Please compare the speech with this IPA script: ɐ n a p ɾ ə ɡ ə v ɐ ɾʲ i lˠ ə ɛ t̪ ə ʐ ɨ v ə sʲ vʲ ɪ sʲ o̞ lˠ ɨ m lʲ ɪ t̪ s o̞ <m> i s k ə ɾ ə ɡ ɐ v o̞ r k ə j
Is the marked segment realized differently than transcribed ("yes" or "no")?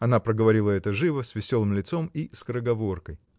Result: no